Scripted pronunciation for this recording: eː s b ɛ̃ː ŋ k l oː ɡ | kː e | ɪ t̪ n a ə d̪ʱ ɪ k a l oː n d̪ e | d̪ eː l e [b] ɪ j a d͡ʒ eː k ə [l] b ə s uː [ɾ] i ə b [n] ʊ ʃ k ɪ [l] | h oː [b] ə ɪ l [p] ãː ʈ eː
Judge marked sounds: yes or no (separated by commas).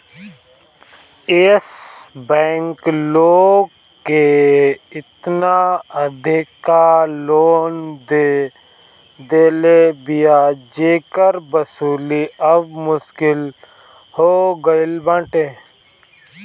yes, no, no, no, yes, no, no